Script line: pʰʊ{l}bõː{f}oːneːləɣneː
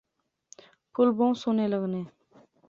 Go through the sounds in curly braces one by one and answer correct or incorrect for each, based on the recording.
correct, incorrect: s

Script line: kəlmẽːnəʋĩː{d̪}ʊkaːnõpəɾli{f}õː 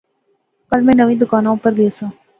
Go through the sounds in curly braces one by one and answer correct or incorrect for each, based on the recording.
correct, incorrect: s

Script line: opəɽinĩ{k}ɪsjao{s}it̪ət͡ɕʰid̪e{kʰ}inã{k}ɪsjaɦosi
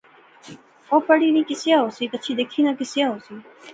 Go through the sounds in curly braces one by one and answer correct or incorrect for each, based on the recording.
correct, correct, correct, correct

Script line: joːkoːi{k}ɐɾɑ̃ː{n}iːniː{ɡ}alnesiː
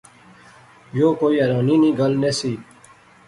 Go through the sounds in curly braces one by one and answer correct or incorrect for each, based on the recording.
incorrect: none, correct, correct

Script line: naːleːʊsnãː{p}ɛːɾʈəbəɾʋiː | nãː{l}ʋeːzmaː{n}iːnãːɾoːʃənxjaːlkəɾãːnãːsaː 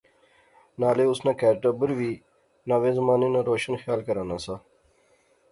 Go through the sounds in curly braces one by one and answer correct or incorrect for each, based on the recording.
incorrect: k, incorrect: none, correct

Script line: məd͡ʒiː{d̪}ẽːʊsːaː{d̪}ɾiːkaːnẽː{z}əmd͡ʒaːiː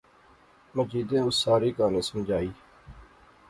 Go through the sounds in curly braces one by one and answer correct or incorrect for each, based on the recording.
correct, incorrect: none, incorrect: s

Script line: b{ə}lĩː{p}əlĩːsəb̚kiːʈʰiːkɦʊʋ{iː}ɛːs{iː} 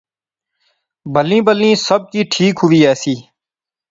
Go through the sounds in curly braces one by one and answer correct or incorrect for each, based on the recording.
correct, incorrect: b, correct, correct

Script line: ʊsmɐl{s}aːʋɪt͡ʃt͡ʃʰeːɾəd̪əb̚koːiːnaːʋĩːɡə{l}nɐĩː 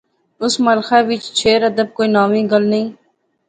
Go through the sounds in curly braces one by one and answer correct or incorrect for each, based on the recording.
incorrect: x, correct

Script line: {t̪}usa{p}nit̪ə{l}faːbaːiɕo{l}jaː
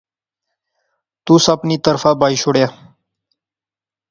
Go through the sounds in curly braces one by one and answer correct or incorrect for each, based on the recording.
correct, correct, incorrect: ɾ, incorrect: ɽ

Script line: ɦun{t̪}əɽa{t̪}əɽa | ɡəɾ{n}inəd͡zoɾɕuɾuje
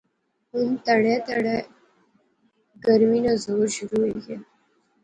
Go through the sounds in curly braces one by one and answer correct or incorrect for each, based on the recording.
correct, correct, incorrect: m

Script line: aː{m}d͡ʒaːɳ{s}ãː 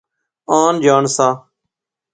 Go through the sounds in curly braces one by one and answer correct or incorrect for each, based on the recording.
incorrect: n, correct

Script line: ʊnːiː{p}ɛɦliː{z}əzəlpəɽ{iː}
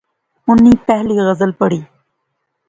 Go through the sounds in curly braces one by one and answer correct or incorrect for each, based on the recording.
correct, incorrect: ɣ, correct

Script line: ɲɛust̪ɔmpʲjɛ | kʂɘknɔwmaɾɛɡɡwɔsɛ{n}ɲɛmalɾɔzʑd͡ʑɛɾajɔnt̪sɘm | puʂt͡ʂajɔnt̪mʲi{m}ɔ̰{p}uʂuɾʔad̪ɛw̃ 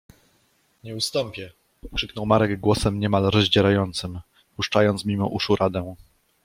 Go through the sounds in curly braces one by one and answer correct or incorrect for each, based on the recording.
incorrect: m, correct, incorrect: ʔ

